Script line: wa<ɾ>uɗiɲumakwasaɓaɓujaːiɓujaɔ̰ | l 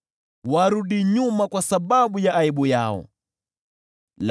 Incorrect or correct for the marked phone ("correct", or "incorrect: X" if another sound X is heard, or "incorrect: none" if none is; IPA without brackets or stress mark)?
correct